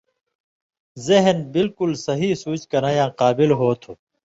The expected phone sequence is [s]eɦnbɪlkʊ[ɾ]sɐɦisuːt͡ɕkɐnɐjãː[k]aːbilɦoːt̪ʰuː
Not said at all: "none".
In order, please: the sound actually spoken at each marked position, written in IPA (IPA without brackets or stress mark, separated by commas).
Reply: z, l, q